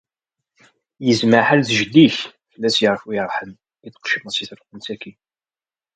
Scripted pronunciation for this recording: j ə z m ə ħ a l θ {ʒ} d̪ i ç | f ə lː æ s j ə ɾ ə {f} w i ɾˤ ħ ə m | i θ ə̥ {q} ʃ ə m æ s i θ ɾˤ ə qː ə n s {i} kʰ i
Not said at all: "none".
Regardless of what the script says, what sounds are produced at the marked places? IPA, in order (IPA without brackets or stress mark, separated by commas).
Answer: ʒ, f, q, æ